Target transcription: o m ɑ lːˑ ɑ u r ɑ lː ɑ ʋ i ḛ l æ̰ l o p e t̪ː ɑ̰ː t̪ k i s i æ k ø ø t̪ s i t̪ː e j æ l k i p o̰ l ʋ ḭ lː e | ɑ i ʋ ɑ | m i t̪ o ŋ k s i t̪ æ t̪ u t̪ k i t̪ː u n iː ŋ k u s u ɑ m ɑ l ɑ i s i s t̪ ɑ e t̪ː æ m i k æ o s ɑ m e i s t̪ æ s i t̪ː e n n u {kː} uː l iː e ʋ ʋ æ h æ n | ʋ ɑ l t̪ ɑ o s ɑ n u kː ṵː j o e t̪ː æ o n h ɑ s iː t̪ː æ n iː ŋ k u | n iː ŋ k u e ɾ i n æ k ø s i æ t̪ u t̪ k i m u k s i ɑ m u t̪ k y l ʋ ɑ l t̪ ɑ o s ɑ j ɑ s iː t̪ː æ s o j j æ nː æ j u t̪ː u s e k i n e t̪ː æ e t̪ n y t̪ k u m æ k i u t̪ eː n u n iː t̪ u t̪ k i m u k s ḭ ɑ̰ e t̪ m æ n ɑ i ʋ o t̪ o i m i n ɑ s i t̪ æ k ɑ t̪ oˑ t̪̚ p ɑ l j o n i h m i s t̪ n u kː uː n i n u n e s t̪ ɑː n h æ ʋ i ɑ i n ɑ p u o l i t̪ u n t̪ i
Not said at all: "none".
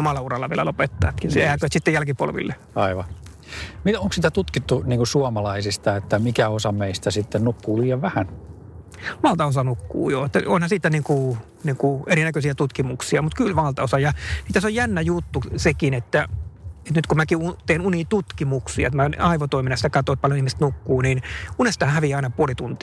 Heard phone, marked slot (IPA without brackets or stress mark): kː